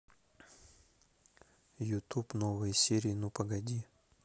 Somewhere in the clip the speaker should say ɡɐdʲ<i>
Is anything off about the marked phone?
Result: no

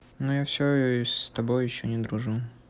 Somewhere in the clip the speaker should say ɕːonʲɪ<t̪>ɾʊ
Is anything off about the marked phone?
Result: yes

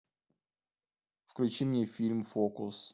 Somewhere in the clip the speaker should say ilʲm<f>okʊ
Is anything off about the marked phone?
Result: no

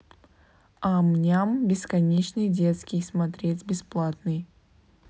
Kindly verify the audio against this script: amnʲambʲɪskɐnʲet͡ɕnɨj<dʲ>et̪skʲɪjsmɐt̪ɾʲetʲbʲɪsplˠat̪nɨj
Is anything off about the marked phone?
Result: no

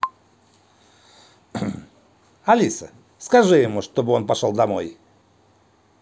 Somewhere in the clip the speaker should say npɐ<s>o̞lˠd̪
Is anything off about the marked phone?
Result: yes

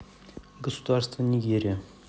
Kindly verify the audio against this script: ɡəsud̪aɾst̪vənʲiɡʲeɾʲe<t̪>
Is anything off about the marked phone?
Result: yes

